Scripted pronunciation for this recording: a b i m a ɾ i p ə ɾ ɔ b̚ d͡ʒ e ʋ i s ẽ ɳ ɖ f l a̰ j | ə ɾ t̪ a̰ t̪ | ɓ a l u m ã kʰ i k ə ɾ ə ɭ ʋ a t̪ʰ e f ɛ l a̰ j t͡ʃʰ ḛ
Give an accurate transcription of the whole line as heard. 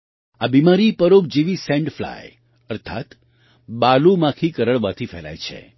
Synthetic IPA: a b i m a ɾ i p ə ɾ o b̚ d͡ʒ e ʋ i s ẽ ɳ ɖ f l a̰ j | ə ɾ t̪ʰ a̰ t̪ | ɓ a l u m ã kʰ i k ə ɾ ə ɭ ʋ a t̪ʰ i f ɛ l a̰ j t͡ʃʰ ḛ